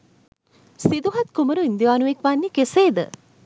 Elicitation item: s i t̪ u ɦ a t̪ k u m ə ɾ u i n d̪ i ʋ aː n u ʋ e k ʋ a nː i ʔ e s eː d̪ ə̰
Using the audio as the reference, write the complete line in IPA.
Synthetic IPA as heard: s i d̪ u ɦ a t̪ k u m ə ɾ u i n d̪ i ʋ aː n u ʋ e k ʋ a nː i k e s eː d̪ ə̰